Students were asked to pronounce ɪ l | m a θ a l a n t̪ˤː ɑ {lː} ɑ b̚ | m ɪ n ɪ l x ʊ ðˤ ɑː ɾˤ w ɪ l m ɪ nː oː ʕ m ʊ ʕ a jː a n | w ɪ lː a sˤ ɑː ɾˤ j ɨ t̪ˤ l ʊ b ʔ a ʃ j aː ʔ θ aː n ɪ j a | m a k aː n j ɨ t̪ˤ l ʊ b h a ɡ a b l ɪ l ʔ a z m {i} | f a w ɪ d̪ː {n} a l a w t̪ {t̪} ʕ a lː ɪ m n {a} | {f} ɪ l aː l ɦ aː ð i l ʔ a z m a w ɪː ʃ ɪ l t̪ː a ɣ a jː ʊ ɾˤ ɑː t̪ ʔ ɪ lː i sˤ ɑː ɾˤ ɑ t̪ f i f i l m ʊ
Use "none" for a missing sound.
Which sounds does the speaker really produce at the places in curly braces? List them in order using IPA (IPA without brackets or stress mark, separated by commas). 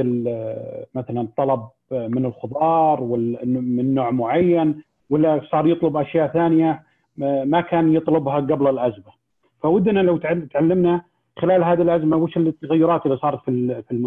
l, a, n, t̪, a, x